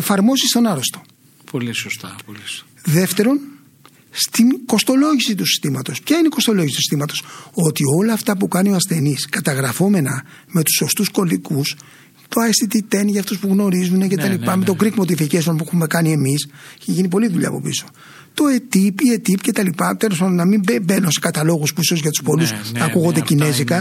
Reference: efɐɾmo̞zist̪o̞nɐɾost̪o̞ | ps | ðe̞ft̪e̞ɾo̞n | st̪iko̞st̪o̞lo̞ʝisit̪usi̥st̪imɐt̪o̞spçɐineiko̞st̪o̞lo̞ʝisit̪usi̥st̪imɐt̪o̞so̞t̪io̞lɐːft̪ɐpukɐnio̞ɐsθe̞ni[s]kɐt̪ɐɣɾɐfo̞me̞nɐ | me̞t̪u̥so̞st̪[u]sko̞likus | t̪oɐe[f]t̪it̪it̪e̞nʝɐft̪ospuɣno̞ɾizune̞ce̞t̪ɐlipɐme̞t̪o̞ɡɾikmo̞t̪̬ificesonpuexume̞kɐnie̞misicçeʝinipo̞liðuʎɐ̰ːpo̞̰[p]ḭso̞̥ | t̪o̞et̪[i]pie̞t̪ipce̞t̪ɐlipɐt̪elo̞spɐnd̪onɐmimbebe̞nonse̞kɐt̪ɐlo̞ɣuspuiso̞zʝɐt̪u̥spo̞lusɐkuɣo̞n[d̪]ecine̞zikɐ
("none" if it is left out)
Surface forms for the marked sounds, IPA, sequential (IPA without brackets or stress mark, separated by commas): s, u, s, p, i, d̪